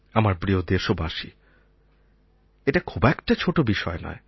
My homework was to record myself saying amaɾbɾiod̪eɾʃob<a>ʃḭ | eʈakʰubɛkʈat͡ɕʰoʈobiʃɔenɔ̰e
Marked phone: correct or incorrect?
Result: correct